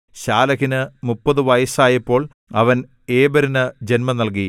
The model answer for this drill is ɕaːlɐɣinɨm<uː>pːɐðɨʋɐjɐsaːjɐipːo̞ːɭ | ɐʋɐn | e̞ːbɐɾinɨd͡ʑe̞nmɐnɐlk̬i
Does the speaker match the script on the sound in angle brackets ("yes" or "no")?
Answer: no